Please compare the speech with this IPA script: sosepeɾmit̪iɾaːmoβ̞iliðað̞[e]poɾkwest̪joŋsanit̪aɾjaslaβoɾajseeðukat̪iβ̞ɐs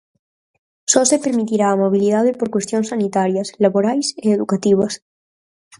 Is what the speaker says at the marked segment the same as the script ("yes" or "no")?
yes